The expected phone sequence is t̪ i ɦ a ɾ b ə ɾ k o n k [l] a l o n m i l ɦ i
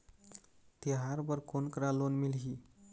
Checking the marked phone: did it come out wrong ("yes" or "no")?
yes